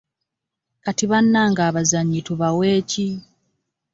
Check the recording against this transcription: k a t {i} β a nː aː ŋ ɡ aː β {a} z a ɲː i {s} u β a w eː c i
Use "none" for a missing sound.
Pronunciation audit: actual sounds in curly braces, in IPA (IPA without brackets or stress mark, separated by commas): i, a, t